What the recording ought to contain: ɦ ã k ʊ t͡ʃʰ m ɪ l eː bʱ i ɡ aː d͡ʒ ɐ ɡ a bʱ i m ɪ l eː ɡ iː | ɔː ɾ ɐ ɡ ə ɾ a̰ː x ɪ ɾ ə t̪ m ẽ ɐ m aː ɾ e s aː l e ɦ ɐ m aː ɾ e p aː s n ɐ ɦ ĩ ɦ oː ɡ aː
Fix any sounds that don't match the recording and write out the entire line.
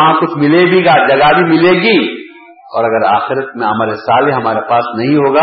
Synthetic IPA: ɦ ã k ʊ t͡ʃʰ m ɪ l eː bʱ i ɡ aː d͡ʒ ɐ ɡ a bʱ i m ɪ l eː ɡ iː | ɔː ɾ ɐ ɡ ə ɾ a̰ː x ɪ ɾ ə t̪ m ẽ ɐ m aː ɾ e s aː l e ɦ ɐ m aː ɾ e p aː s n ɐ ɦ ĩ ɦ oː ɡ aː